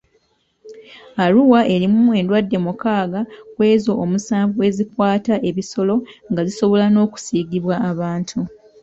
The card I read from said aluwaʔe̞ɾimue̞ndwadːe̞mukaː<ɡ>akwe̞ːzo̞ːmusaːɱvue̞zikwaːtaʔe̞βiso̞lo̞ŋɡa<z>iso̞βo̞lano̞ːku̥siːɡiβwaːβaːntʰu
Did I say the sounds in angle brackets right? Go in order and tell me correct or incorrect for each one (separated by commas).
correct, correct